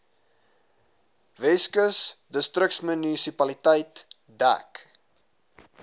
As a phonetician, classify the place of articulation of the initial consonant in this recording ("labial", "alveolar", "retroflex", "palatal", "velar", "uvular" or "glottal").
labial